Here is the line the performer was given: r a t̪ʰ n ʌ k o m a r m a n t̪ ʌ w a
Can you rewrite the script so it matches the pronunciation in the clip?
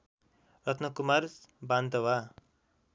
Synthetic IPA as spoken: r ʌ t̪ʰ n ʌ k u m a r b a n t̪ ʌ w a

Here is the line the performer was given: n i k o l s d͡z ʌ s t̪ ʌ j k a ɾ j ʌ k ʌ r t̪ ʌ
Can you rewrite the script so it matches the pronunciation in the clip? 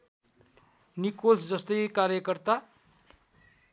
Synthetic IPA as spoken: n i k o l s d͡z ʌ s t̪ ʌ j k a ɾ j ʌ k ʌ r t̪ a

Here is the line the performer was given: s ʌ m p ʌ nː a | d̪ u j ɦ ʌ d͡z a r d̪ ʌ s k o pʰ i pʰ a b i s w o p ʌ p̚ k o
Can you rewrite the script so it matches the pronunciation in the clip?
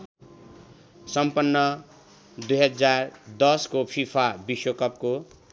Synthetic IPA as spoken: s ʌ m p ʌ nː ʌ | d̪ u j ɦ ʌ d͡z a r d̪ ʌ s k o pʰ i pʰ a b i s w o k ʌ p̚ k o

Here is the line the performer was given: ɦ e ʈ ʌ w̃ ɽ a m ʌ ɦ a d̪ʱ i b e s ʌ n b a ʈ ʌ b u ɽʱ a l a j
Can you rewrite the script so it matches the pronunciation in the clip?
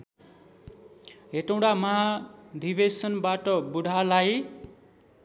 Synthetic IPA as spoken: ɦ e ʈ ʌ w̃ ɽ a m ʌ ɦ a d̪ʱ i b e s ʌ n b a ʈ ʌ b u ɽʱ a l a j

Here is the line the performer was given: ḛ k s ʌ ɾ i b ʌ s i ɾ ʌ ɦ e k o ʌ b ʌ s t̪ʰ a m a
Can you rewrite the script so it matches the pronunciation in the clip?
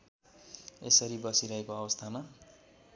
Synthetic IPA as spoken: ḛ s ʌ ɾ i b ʌ s i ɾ ʌ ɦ e k o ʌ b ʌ s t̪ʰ a m a

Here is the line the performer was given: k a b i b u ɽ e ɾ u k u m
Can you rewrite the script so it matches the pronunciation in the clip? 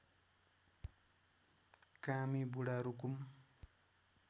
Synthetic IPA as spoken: k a m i b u ɽ a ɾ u k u m

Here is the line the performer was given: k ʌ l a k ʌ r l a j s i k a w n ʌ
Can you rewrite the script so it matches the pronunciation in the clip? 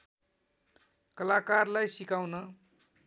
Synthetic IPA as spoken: k ʌ l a k a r l a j s i k a w n ʌ

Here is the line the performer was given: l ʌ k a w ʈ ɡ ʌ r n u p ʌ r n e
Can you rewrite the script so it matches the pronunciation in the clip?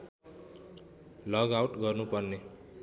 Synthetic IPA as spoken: l ʌ ɡ a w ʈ ɡ ʌ r n u p ʌ r n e

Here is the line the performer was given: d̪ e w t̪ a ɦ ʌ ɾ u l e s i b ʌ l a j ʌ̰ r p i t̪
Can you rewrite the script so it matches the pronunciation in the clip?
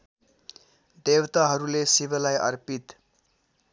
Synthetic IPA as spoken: d̪ e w t̪ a ɦ ʌ ɾ u l e s i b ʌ l a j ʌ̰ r p i t̪

